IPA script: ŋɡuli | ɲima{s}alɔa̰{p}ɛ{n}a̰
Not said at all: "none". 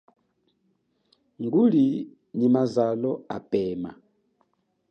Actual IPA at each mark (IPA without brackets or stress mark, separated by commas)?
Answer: z, p, m